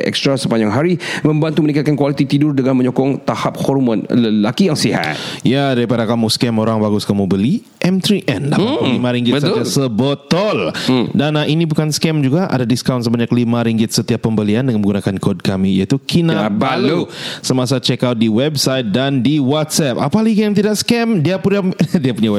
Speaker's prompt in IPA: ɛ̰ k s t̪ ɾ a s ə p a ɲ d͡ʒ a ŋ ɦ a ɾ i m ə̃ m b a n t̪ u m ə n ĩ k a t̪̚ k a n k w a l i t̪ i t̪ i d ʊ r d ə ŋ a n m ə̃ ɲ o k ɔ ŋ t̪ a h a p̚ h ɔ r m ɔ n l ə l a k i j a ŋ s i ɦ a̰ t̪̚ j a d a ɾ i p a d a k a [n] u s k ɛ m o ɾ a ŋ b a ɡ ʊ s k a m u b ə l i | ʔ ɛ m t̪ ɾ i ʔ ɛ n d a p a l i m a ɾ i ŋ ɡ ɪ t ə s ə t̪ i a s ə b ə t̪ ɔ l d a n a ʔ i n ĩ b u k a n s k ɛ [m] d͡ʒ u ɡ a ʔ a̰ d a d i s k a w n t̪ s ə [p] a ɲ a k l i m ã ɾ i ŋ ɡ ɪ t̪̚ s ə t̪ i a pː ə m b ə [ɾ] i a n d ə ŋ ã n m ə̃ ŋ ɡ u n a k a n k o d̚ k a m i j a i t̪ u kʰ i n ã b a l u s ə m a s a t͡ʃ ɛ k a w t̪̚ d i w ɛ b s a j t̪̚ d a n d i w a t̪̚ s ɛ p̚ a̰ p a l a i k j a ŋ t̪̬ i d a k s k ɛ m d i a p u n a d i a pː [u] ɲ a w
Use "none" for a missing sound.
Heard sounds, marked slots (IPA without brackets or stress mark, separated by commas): m, m, b, l, u